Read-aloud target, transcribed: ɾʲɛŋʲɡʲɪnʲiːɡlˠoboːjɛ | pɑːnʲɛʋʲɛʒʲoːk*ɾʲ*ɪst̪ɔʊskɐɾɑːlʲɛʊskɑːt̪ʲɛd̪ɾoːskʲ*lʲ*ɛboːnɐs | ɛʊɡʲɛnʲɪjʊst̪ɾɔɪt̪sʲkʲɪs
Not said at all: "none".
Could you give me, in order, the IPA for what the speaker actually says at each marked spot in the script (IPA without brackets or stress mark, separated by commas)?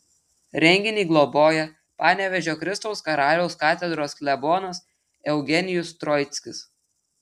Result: ɾʲ, lʲ